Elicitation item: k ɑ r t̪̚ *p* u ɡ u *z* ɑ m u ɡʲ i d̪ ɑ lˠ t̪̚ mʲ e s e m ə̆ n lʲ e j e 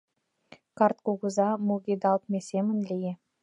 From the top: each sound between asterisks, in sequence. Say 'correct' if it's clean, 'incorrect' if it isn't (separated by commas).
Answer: incorrect, correct